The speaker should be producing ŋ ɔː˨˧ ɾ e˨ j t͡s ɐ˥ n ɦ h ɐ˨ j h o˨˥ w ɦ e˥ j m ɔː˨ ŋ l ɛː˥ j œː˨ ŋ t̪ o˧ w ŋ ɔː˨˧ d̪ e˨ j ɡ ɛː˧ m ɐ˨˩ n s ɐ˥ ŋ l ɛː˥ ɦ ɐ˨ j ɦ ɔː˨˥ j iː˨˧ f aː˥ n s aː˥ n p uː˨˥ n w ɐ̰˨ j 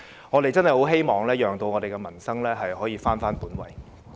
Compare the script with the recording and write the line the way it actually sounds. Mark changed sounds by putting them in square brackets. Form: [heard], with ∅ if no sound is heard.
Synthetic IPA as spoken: ŋ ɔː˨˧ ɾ e˨ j t͡s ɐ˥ n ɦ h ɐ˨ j h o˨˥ w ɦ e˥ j m ɔː˨ ŋ l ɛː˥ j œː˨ ŋ t̪ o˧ w ŋ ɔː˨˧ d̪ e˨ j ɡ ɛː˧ m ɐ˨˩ n s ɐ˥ ŋ l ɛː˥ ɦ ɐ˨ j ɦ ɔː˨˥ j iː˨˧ f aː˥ n [f] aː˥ n p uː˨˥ n w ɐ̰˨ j